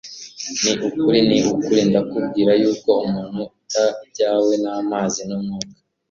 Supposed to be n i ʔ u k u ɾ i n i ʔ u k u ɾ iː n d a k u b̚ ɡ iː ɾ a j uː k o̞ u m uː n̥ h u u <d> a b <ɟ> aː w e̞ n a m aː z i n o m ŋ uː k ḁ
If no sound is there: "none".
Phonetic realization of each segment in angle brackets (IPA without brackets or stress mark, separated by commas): t, ɟ